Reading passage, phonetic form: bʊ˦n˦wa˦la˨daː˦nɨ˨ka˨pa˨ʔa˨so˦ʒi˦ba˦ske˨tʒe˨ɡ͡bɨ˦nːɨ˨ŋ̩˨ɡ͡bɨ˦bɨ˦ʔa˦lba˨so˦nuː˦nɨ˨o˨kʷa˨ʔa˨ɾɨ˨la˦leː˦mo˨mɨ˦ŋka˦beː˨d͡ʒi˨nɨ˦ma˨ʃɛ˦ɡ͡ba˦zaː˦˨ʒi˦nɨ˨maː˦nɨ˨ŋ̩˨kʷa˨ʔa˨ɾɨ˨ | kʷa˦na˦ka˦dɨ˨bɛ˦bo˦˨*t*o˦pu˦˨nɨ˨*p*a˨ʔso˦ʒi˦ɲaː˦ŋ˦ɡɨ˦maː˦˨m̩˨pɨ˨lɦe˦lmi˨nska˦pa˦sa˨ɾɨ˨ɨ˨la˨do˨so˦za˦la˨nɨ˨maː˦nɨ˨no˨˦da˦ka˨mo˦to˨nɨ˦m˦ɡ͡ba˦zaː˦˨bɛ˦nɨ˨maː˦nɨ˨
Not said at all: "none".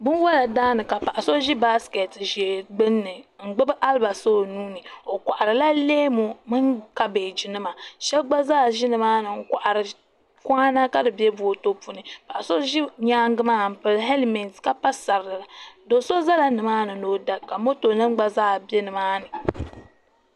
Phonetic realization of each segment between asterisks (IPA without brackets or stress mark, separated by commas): t, p